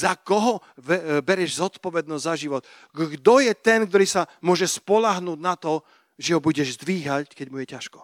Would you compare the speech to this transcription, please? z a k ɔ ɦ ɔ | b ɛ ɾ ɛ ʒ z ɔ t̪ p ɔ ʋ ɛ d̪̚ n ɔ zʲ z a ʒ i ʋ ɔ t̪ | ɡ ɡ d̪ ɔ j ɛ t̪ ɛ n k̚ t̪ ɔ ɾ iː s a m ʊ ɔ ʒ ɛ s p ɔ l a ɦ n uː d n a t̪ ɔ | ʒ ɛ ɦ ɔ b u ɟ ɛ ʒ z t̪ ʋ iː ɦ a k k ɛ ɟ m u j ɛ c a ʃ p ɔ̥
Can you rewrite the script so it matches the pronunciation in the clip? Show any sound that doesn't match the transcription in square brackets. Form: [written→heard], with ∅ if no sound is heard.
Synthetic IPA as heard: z a k ɔ ɦ ɔ | b ɛ ɾ ɛ ʒ z ɔ t̪ p ɔ ʋ ɛ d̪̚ n ɔ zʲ z a ʒ i ʋ ɔ t̪ | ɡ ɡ d̪ ɔ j ɛ t̪ ɛ n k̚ t̪ ɔ ɾ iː s a m ʊ ɔ ʒ ɛ s p ɔ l a ɦ n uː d n a t̪ ɔ | ʒ ɛ ɦ ɔ b u ɟ ɛ ʒ z [t̪→d̪] ʋ iː ɦ a [k→c] k ɛ ɟ m u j ɛ c a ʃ [p→k] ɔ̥